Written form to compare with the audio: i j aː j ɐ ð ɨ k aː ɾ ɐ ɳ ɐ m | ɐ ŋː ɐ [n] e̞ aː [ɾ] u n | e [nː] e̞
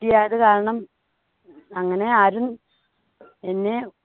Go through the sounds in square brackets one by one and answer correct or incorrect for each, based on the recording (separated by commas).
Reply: correct, correct, correct